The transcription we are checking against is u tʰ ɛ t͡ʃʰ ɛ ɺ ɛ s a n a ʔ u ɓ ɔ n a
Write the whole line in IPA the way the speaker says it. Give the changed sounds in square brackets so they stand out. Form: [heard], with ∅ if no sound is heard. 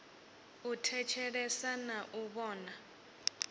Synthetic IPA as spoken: u tʰ ɛ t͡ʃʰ ɛ ɺ ɛ s a n a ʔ u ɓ [ɔː] n a